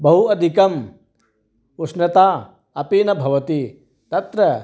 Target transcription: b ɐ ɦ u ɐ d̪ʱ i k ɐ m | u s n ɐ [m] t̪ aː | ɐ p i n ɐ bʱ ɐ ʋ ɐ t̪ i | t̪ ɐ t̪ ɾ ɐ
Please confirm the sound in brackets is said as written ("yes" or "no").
no